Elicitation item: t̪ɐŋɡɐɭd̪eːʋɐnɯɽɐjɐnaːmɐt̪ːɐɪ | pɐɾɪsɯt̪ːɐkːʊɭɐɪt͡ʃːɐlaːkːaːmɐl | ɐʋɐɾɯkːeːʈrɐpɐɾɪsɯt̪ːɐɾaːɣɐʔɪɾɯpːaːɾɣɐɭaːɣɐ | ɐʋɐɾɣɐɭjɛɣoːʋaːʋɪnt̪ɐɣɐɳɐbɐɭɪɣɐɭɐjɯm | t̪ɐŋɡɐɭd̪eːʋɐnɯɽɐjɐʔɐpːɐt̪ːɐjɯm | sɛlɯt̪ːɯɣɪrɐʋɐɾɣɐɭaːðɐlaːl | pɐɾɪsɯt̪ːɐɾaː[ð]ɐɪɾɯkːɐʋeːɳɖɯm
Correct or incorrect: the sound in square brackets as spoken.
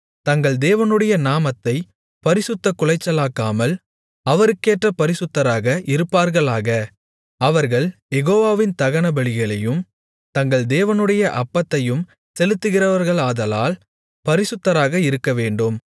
incorrect: ɣ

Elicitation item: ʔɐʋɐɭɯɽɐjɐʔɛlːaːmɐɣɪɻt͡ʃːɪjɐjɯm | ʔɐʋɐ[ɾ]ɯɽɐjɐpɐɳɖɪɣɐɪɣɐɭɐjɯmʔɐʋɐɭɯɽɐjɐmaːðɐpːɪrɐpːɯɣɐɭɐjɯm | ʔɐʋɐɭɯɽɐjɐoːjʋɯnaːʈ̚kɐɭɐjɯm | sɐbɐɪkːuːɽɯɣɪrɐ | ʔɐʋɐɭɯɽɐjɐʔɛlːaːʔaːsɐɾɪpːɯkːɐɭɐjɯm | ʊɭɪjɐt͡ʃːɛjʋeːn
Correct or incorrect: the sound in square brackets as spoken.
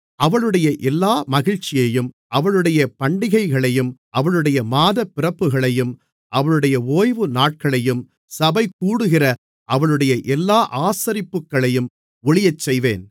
incorrect: ɭ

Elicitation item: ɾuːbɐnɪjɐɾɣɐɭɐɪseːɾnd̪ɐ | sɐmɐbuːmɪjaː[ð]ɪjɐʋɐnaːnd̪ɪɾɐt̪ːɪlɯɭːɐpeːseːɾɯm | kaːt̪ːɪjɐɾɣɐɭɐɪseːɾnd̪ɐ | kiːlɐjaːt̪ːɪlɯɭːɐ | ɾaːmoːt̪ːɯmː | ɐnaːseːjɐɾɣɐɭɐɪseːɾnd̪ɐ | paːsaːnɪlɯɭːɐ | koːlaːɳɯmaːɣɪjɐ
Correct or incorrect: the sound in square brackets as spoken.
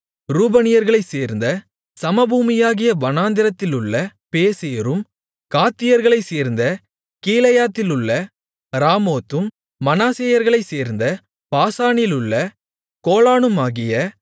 incorrect: ɣ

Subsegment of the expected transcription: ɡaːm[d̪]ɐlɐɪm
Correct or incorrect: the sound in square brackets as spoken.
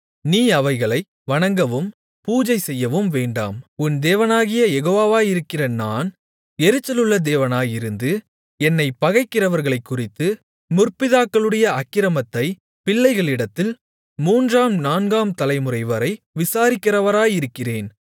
incorrect: t̪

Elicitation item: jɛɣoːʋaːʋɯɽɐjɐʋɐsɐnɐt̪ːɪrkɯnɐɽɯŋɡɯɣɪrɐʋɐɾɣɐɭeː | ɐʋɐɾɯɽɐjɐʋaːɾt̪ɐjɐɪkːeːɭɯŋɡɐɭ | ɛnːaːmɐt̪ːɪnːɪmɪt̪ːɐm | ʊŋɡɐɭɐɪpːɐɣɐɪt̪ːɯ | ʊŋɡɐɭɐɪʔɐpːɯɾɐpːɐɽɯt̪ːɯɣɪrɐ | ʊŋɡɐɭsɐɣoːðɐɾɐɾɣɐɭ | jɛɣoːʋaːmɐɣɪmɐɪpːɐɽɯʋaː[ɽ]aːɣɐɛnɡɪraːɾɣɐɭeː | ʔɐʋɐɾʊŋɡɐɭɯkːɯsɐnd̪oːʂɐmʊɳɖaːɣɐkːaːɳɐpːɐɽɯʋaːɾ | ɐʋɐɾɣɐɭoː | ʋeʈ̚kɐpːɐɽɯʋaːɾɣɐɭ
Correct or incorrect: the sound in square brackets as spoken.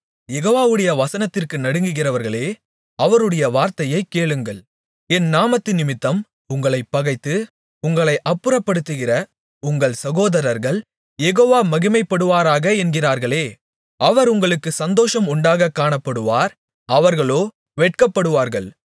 incorrect: ɾ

